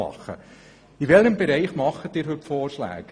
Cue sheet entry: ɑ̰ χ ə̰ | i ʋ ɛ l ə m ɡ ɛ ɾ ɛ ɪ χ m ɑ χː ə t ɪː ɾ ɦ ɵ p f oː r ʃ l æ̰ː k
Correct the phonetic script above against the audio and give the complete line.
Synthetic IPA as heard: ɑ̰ χ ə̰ | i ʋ ɛ l ə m b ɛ ɾ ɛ ɪ χ m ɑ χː ə t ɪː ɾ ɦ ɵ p f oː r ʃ l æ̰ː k